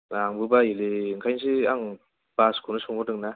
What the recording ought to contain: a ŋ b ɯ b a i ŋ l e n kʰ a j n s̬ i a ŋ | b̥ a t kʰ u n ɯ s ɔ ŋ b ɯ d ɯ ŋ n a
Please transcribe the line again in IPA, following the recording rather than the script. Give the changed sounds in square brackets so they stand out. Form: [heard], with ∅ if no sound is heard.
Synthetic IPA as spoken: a ŋ b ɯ b a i [∅] l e [ŋ] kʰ a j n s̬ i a ŋ | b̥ a [s] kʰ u n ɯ s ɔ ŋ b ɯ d ɯ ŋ n a